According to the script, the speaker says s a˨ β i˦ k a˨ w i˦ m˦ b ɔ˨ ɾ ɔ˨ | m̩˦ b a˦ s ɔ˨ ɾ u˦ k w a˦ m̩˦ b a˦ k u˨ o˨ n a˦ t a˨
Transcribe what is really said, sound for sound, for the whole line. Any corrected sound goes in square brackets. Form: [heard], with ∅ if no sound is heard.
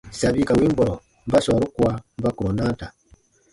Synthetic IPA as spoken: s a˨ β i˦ k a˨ w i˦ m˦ b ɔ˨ ɾ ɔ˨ | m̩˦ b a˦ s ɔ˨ ɾ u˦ k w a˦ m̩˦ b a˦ k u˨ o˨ n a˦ t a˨